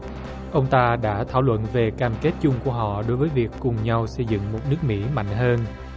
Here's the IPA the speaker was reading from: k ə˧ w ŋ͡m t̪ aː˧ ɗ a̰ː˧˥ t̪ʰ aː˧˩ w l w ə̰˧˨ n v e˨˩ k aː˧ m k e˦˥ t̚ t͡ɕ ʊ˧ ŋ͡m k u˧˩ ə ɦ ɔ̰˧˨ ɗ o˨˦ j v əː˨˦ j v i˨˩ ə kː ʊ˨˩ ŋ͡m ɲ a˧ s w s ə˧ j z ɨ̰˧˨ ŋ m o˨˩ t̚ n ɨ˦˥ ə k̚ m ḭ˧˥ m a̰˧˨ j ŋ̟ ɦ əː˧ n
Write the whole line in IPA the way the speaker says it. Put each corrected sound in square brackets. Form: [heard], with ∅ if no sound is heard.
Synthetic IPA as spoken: [ʔ] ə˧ w ŋ͡m t̪ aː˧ ɗ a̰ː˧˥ t̪ʰ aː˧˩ w l w ə̰˧˨ n v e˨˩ k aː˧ m k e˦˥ t̚ t͡ɕ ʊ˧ ŋ͡m k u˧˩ ə ɦ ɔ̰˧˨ ɗ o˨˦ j v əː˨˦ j v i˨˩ ə kː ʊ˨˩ ŋ͡m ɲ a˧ [∅] w s ə˧ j z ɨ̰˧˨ ŋ m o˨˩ t̚ n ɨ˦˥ ə k̚ m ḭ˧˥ m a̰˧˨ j ŋ̟ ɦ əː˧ n